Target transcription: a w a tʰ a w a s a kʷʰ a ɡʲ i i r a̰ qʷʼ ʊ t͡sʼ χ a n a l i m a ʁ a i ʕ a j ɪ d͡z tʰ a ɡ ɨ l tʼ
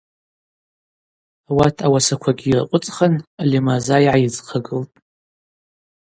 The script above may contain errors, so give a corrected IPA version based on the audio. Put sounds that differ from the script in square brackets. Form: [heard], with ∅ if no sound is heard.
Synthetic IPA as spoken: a w a tʰ a w a s a kʷʰ a ɡʲ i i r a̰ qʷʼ ʊ t͡sʼ χ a n a l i m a [z] a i ʕ a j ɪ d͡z [qʰ] a ɡ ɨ l tʼ